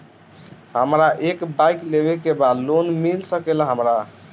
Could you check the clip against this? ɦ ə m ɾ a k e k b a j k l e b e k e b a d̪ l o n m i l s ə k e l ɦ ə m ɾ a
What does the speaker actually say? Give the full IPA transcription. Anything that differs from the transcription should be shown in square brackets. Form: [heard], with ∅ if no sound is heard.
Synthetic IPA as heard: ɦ ə m ɾ a [ʔ] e k b a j k l e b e k e b a d̪ l o n m i l s ə k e l ɦ ə m ɾ a